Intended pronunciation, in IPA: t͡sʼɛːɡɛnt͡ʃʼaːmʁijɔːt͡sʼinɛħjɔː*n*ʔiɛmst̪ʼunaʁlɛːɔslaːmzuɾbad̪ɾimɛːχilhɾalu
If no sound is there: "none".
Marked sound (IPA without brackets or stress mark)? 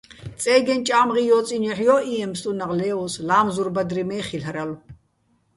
none